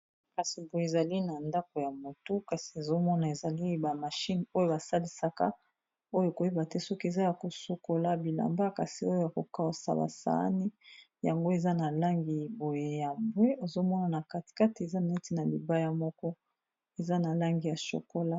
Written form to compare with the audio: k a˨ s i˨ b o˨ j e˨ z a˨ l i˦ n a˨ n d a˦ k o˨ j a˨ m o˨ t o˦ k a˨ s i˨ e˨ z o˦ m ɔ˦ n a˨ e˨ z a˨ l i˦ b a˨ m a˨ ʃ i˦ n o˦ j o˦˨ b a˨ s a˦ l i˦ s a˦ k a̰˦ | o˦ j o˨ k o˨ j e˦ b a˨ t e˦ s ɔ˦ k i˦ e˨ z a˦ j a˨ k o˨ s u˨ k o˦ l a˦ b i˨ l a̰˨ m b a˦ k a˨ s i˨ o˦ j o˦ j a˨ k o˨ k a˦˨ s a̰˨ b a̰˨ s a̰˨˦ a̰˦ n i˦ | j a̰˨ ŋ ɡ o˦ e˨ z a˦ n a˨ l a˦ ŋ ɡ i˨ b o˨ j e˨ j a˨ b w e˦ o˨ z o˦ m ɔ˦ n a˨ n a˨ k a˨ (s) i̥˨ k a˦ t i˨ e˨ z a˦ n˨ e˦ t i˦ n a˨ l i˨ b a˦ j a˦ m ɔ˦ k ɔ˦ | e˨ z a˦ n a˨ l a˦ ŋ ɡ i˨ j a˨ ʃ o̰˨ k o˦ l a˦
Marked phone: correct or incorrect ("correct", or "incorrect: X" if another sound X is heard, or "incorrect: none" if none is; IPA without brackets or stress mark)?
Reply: incorrect: t